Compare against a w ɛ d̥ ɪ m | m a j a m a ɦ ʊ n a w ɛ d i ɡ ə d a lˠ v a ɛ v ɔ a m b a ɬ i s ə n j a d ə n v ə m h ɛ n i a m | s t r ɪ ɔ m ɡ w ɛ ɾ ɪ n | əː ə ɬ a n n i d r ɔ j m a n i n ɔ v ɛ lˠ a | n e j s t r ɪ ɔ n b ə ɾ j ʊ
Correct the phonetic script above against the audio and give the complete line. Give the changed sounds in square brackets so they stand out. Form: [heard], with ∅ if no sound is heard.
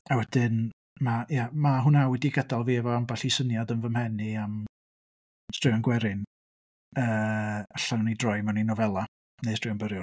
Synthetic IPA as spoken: a w ɛ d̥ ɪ [n] | m a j a m a ɦ ʊ n a w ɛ d i ɡ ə d a lˠ v [i] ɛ v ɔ a m b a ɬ i s ə n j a d ə n v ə m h ɛ n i a m | s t r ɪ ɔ [n] ɡ w ɛ ɾ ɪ n | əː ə ɬ a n n i d r ɔ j m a n i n ɔ v ɛ lˠ a | n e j s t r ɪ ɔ n b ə ɾ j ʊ

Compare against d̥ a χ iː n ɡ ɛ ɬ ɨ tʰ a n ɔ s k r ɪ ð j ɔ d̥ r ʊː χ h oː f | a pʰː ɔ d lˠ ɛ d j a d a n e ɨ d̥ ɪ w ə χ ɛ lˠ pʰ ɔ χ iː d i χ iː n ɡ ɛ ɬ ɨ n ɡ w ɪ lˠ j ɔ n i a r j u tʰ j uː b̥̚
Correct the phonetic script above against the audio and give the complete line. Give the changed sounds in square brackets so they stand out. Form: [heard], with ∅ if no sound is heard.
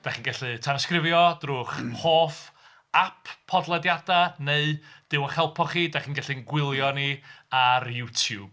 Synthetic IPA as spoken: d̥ a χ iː n ɡ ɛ ɬ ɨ tʰ a n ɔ s k r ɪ [v] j ɔ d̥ r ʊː χ h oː f | a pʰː ɔ d lˠ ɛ d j a d a n e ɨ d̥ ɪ w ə χ ɛ lˠ pʰ ɔ χ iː d [a] χ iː n ɡ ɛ ɬ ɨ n ɡ w ɪ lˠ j ɔ n i a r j u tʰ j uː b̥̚

